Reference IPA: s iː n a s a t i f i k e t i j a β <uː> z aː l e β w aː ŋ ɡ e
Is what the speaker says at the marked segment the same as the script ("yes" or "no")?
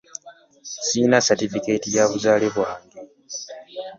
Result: no